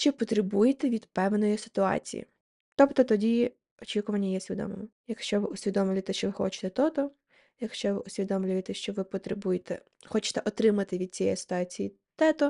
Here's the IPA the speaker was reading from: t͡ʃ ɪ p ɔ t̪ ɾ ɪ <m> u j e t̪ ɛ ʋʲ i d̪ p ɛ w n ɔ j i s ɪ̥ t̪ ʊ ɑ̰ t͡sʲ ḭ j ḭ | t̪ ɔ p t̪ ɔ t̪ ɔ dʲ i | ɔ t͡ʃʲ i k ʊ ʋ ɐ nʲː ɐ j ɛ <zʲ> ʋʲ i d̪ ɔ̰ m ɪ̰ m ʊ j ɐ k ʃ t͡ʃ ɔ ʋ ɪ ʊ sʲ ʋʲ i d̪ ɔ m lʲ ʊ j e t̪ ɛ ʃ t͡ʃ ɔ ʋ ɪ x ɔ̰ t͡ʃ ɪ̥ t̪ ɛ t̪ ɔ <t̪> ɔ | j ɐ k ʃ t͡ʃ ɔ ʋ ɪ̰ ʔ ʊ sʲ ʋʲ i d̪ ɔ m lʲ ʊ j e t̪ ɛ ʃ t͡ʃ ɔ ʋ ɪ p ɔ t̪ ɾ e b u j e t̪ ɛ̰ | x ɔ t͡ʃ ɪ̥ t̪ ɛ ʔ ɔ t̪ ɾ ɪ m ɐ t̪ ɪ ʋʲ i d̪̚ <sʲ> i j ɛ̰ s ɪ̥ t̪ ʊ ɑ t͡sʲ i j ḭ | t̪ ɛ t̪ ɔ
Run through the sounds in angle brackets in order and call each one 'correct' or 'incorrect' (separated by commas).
incorrect, incorrect, correct, incorrect